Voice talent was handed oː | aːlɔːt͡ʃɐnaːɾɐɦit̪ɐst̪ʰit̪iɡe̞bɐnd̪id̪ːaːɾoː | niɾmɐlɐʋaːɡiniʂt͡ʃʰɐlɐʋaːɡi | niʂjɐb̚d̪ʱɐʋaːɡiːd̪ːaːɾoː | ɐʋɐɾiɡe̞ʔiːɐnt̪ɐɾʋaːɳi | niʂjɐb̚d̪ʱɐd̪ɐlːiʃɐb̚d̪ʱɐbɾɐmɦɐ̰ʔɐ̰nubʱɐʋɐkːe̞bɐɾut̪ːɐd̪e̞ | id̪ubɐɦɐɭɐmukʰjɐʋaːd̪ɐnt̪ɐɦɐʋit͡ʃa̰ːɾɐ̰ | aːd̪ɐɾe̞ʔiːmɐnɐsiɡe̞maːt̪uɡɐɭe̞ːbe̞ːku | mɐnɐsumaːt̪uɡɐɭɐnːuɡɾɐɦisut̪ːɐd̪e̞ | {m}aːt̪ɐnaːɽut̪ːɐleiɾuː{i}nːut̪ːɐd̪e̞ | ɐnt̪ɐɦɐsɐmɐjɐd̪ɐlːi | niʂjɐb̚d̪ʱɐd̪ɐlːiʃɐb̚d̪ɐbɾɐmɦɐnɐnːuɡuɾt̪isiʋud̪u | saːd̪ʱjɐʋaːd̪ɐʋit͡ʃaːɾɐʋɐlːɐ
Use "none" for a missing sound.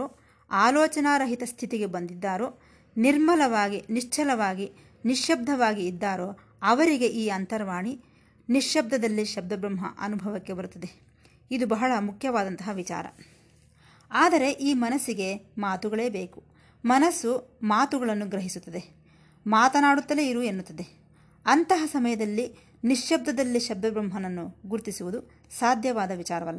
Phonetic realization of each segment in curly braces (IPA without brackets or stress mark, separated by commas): m, e